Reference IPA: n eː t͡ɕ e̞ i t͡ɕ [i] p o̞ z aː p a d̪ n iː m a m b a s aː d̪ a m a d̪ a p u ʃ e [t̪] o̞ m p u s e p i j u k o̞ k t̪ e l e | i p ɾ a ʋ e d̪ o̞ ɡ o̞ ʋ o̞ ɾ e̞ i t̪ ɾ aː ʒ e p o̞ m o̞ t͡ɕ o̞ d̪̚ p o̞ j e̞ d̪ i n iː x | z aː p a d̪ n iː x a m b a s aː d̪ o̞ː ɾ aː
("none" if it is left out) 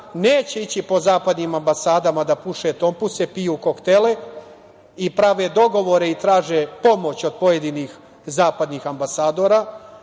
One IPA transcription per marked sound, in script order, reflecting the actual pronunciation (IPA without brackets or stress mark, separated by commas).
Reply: i, t̪